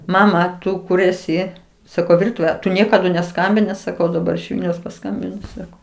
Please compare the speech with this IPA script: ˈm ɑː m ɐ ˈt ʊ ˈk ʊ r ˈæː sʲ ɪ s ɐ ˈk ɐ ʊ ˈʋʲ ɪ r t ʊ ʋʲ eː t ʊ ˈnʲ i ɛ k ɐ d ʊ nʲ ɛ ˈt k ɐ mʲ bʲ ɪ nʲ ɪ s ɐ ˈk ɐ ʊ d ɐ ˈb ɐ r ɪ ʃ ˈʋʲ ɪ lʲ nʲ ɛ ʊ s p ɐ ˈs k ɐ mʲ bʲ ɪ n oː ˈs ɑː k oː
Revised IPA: ˈm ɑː m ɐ ˈt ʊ ˈk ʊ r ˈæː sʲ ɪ s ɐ ˈk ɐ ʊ ˈʋʲ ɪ r t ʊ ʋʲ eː t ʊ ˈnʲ i ɛ k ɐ d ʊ nʲ ɛ ˈs k ɐ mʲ bʲ ɪ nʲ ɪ s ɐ ˈk ɐ ʊ d ɐ ˈb ɐ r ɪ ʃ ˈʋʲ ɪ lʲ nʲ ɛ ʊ s p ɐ ˈs k ɐ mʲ bʲ ɪ n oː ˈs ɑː k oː

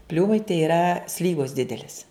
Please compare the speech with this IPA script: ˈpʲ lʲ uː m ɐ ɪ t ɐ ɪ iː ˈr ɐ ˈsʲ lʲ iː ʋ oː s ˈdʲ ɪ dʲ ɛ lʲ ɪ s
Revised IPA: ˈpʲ lʲ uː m ɐ ɪ t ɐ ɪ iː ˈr ɐ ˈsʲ lʲ iː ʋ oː s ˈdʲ ɪ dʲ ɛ lʲ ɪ s

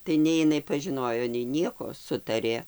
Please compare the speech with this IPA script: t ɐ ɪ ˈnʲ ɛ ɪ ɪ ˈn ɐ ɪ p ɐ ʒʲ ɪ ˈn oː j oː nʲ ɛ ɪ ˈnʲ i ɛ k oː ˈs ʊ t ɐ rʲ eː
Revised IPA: t ɐ ɪ ˈnʲ ɛ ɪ ɪ ˈn ɐ ɪ p ɐ ʒʲ ɪ ˈn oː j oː nʲ ɛ ɪ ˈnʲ i ɛ k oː ˈs ʊ t ɐ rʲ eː

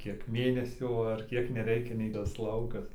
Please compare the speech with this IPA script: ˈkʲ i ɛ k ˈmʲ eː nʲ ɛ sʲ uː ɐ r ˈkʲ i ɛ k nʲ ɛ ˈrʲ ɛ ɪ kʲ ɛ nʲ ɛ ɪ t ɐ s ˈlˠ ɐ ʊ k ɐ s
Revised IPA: ˈkʲ i ɛ k ˈmʲ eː nʲ ɛ sʲ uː ɐ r ˈkʲ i ɛ k nʲ ɛ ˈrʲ ɛ ɪ kʲ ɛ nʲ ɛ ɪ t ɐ s ˈlˠ ɐ ʊ k ɐ s

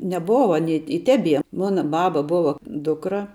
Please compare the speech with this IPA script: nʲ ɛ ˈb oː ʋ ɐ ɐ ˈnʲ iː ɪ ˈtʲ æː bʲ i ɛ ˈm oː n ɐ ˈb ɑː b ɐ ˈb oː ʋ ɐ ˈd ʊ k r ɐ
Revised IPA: nʲ ɛ ˈb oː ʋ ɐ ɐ ˈnʲ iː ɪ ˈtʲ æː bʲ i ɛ ˈm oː n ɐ ˈb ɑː b ɐ ˈb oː ʋ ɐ ˈd ʊ k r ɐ

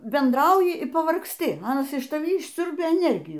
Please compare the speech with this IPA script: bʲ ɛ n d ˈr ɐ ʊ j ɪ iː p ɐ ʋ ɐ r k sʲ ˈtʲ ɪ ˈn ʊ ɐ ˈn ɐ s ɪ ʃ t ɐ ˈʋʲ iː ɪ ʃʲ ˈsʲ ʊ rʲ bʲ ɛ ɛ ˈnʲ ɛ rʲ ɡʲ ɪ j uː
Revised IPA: bʲ ɛ n d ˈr ɐ ʊ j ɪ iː p ɐ ʋ ɐ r k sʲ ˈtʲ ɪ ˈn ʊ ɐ ˈn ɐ s ɪ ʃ t ɐ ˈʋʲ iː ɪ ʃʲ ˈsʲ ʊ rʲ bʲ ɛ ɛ ˈnʲ ɛ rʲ ɡʲ ɪ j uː

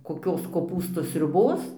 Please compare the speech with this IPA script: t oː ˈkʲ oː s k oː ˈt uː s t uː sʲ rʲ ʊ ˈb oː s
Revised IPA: k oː ˈkʲ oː s k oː ˈp uː s t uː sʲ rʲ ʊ ˈb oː s

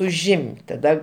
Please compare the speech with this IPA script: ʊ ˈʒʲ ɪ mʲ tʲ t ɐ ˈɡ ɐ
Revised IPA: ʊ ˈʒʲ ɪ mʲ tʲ t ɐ ˈd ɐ

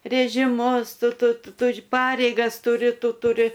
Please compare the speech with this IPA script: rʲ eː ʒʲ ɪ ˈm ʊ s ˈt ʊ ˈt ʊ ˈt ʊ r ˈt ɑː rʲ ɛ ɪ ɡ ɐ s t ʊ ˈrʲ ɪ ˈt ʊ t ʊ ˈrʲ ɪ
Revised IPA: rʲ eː ʒʲ ɪ ˈm ʊ s ˈt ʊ ˈt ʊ ˈt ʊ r ˈp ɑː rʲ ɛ ɪ ɡ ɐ s t ʊ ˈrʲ ɪ ˈt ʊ t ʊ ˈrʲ ɪ

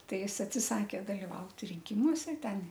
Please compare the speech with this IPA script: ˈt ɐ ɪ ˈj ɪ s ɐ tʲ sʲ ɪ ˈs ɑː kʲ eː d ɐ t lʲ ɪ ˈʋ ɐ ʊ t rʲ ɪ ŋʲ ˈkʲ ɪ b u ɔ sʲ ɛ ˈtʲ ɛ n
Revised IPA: ˈt ɐ ɪ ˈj ɪ s ɐ tʲ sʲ ɪ ˈs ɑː kʲ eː d ɐ lʲ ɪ ˈʋ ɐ ʊ t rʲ ɪ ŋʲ ˈkʲ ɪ m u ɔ sʲ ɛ ˈtʲ ɛ n

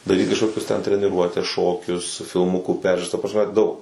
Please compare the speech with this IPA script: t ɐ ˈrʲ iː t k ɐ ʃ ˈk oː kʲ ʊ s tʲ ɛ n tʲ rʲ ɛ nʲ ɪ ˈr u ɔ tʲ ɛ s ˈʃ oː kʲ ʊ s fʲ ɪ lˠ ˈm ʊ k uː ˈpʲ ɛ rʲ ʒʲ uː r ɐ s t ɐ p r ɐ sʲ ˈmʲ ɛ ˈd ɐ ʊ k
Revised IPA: d ɐ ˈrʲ iː t k ɐ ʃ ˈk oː kʲ ʊ s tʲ ɛ n tʲ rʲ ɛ nʲ ɪ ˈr u ɔ tʲ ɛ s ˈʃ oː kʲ ʊ s fʲ ɪ lˠ ˈm ʊ k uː ˈpʲ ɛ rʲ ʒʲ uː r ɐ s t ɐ p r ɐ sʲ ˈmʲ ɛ ˈd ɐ ʊ k

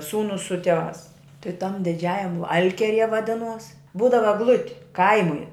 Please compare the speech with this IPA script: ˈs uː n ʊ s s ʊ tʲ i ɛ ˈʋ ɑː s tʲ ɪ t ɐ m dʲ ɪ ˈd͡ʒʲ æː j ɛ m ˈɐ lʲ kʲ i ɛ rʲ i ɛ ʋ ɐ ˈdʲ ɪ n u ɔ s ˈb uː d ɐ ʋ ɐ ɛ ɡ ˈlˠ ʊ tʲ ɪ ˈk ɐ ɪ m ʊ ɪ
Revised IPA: ˈs uː n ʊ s s ʊ tʲ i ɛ ˈʋ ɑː s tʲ ɪ t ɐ m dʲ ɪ ˈd͡ʒʲ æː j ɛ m ˈɐ lʲ kʲ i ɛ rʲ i ɛ ʋ ɐ ˈdʲ ɪ n u ɔ s ˈb uː d ɐ ʋ ɐ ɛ ɡ ˈlˠ ʊ tʲ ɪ ˈk ɐ ɪ m ʊ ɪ

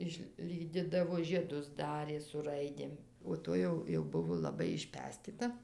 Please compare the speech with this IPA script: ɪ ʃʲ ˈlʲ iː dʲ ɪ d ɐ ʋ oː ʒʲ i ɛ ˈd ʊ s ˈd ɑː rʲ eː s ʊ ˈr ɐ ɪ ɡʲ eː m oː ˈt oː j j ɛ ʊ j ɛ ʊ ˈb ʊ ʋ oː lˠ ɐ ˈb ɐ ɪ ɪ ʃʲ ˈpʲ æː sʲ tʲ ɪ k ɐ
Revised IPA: ɪ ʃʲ ˈlʲ iː dʲ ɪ d ɐ ʋ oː ʒʲ i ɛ ˈd ʊ s ˈd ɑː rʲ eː s ʊ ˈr ɐ ɪ dʲ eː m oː ˈt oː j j ɛ ʊ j ɛ ʊ ˈb ʊ ʋ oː lˠ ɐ ˈb ɐ ɪ ɪ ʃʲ ˈpʲ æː sʲ tʲ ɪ t ɐ

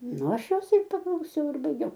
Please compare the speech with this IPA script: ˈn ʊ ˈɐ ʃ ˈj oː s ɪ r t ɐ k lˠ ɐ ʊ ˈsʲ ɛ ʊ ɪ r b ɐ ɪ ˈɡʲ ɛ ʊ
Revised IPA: ˈn ʊ ˈɐ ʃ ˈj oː s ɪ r p ɐ k lˠ ɐ ʊ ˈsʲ ɛ ʊ ɪ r b ɐ ɪ ˈɡʲ ɛ ʊ

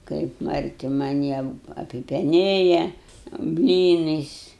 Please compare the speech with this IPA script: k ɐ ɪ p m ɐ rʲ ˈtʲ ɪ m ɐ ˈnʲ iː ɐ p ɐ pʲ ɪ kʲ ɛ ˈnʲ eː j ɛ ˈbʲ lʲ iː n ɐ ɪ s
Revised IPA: k ɐ ɪ p m ɐ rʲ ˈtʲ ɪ m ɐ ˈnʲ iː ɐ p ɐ pʲ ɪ pʲ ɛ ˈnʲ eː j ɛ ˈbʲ lʲ iː n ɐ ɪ s

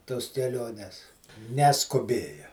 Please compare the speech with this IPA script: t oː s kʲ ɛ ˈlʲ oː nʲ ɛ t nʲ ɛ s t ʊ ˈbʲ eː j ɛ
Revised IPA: t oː s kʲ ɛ ˈlʲ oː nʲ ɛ s nʲ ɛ s k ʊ ˈbʲ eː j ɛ

